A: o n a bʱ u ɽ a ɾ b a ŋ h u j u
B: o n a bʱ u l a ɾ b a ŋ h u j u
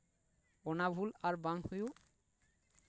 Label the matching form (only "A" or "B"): B